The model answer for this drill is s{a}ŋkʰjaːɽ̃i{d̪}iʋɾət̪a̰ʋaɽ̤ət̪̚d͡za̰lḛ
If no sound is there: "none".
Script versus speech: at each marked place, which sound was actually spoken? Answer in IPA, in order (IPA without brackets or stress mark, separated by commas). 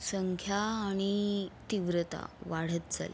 ə, t̪